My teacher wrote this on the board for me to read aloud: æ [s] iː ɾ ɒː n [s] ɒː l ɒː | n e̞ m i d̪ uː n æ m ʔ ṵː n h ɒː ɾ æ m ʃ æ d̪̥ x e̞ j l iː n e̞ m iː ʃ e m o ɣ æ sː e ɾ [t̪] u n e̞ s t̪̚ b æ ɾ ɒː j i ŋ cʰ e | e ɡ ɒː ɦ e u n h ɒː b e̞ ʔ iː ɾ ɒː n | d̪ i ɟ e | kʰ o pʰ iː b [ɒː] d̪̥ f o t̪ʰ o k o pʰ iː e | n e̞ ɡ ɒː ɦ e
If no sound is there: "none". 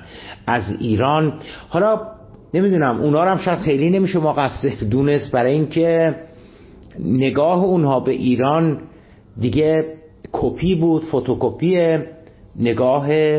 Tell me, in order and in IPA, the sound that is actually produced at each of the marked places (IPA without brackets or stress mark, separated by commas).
z, h, d̪, uː